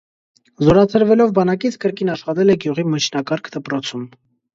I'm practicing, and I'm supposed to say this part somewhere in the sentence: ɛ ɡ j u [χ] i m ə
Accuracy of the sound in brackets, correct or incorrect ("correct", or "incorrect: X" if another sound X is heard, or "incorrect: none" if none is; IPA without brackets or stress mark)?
incorrect: ʁ